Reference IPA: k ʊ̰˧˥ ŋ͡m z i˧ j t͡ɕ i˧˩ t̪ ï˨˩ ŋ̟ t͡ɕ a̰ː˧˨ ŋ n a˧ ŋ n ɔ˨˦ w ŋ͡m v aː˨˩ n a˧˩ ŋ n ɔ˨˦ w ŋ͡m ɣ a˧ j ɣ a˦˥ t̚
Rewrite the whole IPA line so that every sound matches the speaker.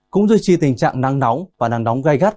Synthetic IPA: k ʊ̰˧˥ ŋ͡m z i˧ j t͡ɕ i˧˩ t̪ ï˨˩ ŋ̟ t͡ɕ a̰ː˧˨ ŋ n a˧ ŋ n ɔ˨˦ w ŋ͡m v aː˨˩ n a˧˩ ŋ n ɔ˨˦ w ŋ͡m ɣ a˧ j ɣ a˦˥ t̚